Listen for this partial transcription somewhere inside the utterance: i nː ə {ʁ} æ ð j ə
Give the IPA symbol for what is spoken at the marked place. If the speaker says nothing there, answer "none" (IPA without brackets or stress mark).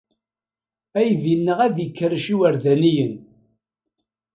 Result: ʁ